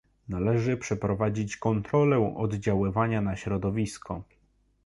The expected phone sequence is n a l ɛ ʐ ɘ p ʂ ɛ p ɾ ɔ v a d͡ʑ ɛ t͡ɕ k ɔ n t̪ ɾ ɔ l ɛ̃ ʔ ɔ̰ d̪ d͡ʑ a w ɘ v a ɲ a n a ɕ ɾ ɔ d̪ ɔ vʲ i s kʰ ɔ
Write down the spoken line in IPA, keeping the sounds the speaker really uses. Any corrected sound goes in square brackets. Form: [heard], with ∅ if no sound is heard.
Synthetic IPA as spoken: n a l ɛ ʐ ɘ p ʂ ɛ p ɾ ɔ v a d͡ʑ [i] t͡ɕ k ɔ n t̪ ɾ ɔ l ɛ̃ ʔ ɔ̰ d̪ d͡ʑ a w ɘ v a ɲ a n a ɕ ɾ ɔ d̪ ɔ vʲ i s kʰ ɔ

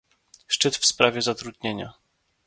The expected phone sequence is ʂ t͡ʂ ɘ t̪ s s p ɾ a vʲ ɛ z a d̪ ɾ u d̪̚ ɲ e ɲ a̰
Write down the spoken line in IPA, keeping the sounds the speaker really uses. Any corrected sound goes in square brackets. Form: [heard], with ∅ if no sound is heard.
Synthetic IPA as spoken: ʂ t͡ʂ ɘ t̪ [f] s p ɾ a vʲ ɛ z a [t̪] ɾ u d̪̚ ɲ e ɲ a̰

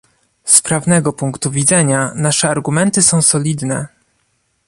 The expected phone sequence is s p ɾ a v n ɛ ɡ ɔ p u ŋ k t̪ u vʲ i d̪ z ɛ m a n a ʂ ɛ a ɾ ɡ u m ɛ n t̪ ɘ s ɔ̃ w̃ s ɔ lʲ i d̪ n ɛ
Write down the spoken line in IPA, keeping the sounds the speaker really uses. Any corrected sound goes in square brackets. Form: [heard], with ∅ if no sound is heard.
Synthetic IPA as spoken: s p ɾ a v n ɛ ɡ ɔ p u ŋ k t̪ u vʲ i d̪ z ɛ [ɲ] a n a ʂ ɛ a ɾ ɡ u m ɛ n t̪ ɘ s ɔ̃ w̃ s ɔ lʲ i d̪ n ɛ

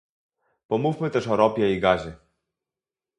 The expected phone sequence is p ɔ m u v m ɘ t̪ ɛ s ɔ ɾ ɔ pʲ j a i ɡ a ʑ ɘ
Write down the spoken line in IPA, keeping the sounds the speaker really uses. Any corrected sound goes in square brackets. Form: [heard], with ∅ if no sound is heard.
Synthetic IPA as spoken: p ɔ m u [f] m ɘ t̪ ɛ [ʂ] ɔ ɾ ɔ pʲ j [ɛ] i ɡ a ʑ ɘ

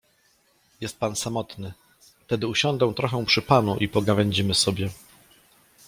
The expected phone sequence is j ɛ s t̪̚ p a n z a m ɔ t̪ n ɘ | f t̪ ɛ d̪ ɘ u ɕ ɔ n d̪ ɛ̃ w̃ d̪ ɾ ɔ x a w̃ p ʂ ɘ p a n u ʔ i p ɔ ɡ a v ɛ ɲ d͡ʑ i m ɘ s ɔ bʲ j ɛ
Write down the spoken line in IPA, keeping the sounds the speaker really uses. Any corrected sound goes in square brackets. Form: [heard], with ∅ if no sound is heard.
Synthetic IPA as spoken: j ɛ s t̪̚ p a n [s] a m ɔ t̪ n ɘ | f t̪ ɛ d̪ ɘ u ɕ ɔ n d̪ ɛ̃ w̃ [t̪] ɾ ɔ x [ɛ] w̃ p ʂ ɘ p a n u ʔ i p ɔ ɡ a v ɛ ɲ d͡ʑ i m ɘ s ɔ bʲ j ɛ

